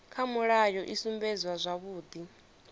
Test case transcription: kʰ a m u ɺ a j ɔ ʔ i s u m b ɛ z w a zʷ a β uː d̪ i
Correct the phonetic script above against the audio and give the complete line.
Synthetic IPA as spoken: kʰ a m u ɺ a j ɔ ʔ i s u m b ɛ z w a zʷ a β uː d̪ i